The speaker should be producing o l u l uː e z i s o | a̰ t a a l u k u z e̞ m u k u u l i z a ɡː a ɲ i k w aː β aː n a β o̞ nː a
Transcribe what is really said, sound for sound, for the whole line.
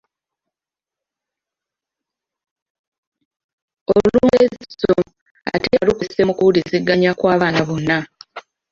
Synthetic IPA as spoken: o l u l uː e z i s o | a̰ t e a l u k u s e̞ m u k u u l i z i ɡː a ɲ a k w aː β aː n a β o̞ nː a